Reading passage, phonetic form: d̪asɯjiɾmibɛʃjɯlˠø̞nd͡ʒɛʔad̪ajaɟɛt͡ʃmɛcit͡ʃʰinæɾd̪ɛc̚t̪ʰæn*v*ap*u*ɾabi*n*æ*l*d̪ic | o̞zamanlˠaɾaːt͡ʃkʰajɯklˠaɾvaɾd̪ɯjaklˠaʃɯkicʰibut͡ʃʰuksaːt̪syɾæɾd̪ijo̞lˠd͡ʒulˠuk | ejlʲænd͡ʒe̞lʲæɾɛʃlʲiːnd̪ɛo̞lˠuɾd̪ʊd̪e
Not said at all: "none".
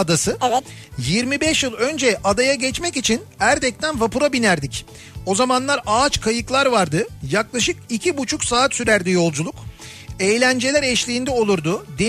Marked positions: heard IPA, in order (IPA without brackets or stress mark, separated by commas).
v, u, n, ɾ